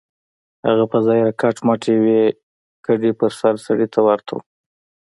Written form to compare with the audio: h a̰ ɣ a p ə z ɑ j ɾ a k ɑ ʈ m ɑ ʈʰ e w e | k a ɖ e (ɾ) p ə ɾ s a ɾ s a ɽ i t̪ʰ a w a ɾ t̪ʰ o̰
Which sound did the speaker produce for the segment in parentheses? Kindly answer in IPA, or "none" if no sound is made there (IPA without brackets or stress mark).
none